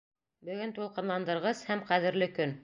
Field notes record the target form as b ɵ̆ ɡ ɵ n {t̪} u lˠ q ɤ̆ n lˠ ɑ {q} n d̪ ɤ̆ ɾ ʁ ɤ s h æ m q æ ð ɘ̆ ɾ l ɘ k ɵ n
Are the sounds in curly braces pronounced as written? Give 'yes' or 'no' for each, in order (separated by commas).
yes, no